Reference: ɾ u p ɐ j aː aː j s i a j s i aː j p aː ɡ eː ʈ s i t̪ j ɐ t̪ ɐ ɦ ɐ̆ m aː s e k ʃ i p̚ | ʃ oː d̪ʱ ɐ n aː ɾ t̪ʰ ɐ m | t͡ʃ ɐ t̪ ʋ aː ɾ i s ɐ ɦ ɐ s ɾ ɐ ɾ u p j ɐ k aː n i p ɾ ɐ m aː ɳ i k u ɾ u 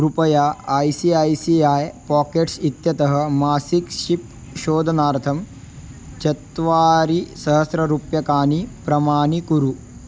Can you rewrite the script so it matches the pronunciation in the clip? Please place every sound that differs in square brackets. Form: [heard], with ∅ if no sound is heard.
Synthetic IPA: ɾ u p ɐ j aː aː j s i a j s i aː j p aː [k] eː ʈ s i t̪ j ɐ t̪ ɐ ɦ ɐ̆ m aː s [i] k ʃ i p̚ | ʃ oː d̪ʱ ɐ n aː ɾ t̪ʰ ɐ m | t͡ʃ ɐ t̪ ʋ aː ɾ i s ɐ ɦ ɐ s ɾ ɐ ɾ u p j ɐ k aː n i p ɾ ɐ m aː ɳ i k u ɾ u

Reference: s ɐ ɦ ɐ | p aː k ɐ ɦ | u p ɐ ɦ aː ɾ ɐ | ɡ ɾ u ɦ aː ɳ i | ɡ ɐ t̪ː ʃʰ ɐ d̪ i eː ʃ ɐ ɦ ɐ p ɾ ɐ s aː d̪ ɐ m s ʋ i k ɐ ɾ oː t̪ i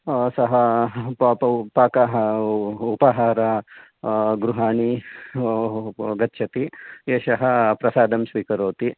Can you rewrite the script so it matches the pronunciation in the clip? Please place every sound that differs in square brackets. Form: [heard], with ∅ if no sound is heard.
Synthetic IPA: s ɐ ɦ ɐ | p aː k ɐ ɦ | u p ɐ ɦ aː ɾ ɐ | ɡ ɾ u ɦ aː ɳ i | ɡ ɐ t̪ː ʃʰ ɐ [t̪] i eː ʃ ɐ ɦ ɐ p ɾ ɐ s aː d̪ ɐ m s ʋ [iː] k ɐ ɾ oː t̪ i

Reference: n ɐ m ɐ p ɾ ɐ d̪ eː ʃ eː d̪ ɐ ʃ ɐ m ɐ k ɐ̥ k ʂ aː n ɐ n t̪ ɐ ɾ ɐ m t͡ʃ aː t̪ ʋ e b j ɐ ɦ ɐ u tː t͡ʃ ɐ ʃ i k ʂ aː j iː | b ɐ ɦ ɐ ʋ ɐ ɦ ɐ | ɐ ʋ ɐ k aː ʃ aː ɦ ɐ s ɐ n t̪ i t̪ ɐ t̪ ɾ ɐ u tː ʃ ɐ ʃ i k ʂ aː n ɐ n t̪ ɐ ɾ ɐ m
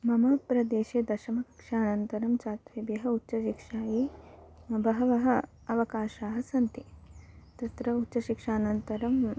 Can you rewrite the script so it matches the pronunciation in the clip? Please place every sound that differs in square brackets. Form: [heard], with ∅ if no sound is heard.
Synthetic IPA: [m] ɐ m ɐ p ɾ ɐ d̪ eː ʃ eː d̪ ɐ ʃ ɐ m ɐ k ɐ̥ k ʂ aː n ɐ n t̪ ɐ ɾ ɐ m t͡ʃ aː t̪ ʋ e b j ɐ ɦ ɐ u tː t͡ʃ ɐ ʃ i k ʂ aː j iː | b ɐ ɦ ɐ ʋ ɐ ɦ ɐ | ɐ ʋ ɐ k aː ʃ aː ɦ ɐ s ɐ n t̪ i t̪ ɐ t̪ ɾ ɐ u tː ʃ ɐ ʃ i k ʂ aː n ɐ n t̪ ɐ ɾ ɐ m

